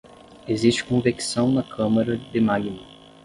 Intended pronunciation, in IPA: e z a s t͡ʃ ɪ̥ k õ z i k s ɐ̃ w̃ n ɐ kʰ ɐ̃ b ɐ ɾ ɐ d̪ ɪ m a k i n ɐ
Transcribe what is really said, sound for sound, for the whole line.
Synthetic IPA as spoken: e z i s t͡ʃ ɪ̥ k õ v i k s ɐ̃ w̃ n ɐ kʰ ɐ̃ m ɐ ɾ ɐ d̪ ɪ m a ɡ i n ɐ